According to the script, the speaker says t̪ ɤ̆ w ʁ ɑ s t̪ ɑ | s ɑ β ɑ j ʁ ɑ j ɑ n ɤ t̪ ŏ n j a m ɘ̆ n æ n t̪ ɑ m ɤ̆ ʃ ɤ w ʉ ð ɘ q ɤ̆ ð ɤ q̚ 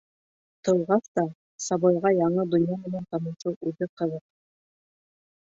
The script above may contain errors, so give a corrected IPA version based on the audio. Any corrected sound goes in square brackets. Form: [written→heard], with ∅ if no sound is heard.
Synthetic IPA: t̪ ɤ̆ w ʁ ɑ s t̪ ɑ | s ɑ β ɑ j ʁ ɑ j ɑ [n→ɴ] ɤ [t̪→d̪] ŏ n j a m ɘ̆ n æ n t̪ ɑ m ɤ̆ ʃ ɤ w ʉ ð ɘ q ɤ̆ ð ɤ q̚